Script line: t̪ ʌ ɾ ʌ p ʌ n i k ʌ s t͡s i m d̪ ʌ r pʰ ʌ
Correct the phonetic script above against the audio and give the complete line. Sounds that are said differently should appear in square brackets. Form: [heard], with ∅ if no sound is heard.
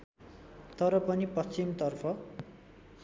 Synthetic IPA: t̪ ʌ ɾ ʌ p ʌ n i [p] ʌ s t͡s i m [t̪] ʌ r pʰ ʌ